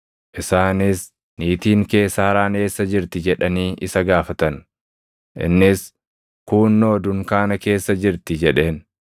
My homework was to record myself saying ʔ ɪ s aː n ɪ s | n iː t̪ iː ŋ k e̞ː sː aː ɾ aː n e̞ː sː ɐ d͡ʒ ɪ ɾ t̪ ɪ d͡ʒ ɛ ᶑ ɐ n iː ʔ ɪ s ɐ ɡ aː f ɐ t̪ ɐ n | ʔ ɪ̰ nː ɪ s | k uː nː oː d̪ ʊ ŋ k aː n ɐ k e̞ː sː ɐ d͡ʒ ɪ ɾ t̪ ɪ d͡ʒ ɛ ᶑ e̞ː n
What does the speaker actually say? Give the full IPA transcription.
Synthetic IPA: ʔ ɪ s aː n ɪ s | n iː t̪ iː ŋ k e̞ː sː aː ɾ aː n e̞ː sː ɐ d͡ʒ ɪ ɾ t̪ ɪ d͡ʒ ɛ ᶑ ɐ n iː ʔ ɪ s ɐ ɡ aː f ɐ t̪ ɐ n | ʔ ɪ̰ nː ɪ s | k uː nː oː d̪ ʊ ŋ k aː n ɐ k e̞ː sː ɐ d͡ʒ ɪ ɾ t̪ ɪ d͡ʒ ɛ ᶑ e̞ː n